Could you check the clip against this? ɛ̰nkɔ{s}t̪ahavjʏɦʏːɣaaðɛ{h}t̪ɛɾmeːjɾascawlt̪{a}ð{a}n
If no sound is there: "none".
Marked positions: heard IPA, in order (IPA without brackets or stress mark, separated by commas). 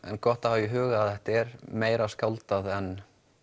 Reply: h, h, a, ɛ